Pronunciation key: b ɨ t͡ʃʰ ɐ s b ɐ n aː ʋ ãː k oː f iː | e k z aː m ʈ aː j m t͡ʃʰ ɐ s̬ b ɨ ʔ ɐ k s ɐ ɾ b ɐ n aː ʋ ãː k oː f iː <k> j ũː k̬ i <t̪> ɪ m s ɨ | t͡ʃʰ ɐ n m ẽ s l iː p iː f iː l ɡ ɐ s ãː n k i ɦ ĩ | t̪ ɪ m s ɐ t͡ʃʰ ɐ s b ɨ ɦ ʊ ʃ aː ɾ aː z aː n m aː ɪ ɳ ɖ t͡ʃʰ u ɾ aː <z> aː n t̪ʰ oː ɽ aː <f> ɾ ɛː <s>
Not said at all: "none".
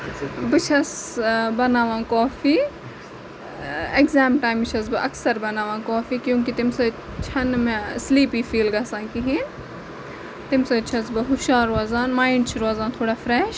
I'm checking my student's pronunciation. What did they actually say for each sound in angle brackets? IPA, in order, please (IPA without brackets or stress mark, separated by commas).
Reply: k, t̪, z, f, ʃ